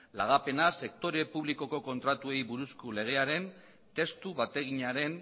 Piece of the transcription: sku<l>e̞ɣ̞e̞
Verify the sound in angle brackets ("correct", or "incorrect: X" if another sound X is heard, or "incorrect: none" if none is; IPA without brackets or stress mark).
correct